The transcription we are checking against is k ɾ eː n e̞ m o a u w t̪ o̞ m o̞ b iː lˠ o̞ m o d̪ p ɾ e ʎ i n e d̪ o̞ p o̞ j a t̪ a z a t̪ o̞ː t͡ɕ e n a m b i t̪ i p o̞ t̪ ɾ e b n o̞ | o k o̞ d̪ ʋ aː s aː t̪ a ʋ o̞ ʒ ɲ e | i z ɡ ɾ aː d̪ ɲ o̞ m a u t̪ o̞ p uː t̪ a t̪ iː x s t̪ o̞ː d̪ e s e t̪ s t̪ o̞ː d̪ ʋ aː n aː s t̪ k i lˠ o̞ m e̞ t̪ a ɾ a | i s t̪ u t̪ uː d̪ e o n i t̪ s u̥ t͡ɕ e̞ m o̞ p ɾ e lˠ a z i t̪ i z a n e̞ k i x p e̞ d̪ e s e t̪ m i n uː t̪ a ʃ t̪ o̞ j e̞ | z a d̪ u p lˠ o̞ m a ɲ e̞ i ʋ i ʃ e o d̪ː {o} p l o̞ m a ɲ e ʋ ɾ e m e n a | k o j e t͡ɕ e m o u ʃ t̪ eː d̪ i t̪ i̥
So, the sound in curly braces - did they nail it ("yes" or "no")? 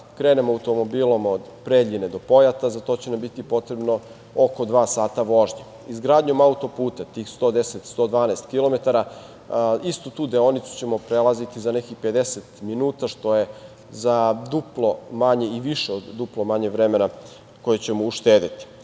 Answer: no